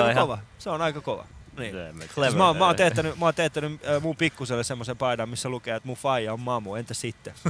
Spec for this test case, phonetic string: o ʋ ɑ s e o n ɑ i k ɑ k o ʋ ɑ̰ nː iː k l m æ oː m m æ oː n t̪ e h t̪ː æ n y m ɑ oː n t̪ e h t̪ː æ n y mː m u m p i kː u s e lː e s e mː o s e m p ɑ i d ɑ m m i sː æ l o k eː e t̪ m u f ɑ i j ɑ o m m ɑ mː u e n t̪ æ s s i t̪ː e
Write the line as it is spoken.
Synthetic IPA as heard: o ʋ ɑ s e o n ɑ i k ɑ k o ʋ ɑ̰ n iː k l m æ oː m m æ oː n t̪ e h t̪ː æ n y m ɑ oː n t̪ e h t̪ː æ n y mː m u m p i kː u s e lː e s e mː o s e m p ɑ i d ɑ m m i sː æ l u k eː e t̪ m u f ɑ i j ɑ o m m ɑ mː u e n t̪ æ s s i t̪ː e